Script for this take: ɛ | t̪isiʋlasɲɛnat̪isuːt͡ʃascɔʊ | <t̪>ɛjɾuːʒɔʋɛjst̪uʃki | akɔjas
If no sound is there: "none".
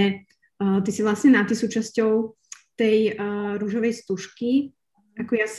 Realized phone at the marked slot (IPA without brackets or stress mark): t̪